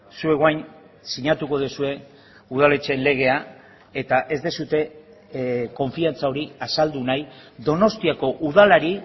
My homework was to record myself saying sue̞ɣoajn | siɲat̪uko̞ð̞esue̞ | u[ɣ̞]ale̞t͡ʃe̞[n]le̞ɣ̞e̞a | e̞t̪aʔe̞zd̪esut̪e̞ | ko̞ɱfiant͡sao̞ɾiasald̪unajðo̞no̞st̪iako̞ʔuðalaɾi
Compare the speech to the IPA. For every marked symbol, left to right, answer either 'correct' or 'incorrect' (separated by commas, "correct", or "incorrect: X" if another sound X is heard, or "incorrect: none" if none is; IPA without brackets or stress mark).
incorrect: ð̞, correct